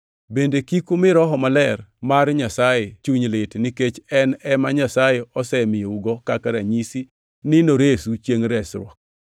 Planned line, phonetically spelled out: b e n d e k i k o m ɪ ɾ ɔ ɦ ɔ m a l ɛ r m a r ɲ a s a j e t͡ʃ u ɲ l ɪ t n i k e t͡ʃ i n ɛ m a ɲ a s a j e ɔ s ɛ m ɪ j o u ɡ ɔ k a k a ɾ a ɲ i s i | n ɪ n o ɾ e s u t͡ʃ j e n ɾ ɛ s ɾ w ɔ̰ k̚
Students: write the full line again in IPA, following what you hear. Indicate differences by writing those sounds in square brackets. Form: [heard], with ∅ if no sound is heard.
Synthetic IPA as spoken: b e n d e k i k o m ɪ ɾ ɔ ɦ ɔ m a l ɛ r m a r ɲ a s a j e t͡ʃ u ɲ l ɪ t n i k e t͡ʃ [ɛ] n ɛ m a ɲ a s a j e ɔ s ɛ m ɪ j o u ɡ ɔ k a k a ɾ a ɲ i s i | n ɪ n o ɾ e s u t͡ʃ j e [ŋ] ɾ ɛ s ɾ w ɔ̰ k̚